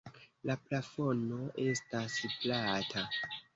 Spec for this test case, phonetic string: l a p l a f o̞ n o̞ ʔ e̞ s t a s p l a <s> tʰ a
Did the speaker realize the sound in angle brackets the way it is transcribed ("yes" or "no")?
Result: no